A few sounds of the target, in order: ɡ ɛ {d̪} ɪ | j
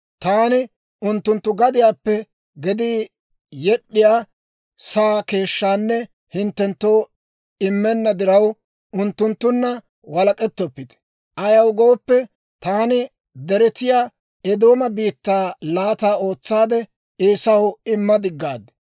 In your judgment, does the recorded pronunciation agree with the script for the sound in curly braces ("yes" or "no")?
yes